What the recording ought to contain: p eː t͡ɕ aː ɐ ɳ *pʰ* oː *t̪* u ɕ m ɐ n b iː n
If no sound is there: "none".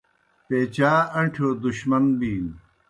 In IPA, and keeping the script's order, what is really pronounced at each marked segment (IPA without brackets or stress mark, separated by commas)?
ʈʰ, d̪